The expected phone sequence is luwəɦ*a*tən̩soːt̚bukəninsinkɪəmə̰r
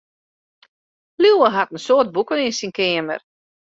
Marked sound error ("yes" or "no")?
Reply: no